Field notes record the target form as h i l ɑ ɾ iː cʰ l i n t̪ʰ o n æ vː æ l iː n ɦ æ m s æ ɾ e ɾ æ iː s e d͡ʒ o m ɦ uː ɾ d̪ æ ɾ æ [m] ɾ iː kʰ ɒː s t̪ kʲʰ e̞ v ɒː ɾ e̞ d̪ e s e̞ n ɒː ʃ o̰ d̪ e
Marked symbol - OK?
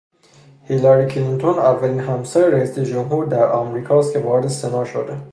yes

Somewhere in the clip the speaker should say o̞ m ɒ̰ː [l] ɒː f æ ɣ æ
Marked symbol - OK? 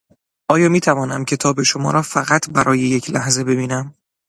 no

